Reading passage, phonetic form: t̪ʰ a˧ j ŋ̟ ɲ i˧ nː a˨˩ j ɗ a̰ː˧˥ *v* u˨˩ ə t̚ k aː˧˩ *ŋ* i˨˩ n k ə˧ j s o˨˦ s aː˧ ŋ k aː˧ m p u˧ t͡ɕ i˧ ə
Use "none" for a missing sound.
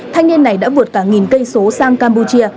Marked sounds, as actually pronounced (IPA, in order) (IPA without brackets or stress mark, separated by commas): v, ŋ